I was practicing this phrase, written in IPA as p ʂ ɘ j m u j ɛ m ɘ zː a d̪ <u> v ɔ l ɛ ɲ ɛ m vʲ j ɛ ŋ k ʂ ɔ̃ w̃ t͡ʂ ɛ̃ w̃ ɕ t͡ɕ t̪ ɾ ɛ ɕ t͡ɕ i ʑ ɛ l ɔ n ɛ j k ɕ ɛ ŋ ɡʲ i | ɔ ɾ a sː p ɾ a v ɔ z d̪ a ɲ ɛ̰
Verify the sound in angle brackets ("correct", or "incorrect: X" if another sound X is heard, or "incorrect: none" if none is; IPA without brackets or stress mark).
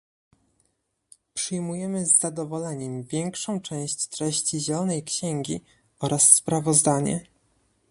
incorrect: ɔ